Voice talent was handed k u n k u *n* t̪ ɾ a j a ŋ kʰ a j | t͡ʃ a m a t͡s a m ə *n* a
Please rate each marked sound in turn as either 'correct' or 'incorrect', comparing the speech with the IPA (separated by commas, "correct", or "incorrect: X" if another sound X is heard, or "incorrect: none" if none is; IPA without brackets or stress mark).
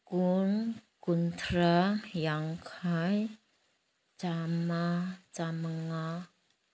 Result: correct, incorrect: ŋ